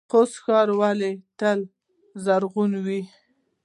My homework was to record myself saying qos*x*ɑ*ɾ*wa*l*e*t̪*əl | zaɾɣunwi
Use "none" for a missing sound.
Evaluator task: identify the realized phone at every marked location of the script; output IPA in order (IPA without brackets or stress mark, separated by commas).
x, ɾ, l, t̪